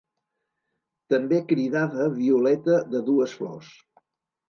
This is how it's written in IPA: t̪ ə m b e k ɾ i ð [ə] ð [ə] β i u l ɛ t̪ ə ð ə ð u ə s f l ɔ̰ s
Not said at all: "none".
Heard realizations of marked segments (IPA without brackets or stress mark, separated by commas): a, ə